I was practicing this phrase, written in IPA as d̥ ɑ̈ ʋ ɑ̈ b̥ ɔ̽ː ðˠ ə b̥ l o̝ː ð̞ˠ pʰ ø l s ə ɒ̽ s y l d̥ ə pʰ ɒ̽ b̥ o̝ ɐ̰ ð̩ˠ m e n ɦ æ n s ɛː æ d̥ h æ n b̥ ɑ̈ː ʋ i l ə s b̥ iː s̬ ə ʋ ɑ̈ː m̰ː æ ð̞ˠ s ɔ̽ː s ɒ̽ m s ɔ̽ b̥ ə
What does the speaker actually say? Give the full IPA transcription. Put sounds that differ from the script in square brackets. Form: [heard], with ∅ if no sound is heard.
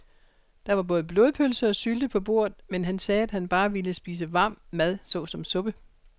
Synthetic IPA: d̥ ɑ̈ ʋ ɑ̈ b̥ ɔ̽ː ðˠ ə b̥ l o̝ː ð̞ˠ pʰ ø l s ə ɒ̽ s y l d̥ ə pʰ ɒ̽ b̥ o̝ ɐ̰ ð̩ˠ m e n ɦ æ n s ɛː æ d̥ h æ n b̥ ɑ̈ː ʋ i l ə s b̥ iː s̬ ə ʋ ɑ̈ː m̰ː æ ð̞ˠ s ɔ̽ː s ɒ̽ m s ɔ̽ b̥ ə